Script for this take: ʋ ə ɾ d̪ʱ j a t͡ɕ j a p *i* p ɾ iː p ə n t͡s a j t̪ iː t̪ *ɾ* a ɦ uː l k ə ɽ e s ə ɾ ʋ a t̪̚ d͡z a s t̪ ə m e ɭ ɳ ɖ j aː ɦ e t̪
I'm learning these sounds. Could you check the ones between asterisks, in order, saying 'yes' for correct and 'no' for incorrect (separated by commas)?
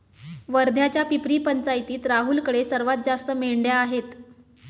yes, yes